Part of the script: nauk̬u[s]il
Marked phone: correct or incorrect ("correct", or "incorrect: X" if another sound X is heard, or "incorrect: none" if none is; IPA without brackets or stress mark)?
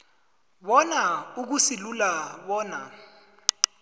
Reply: correct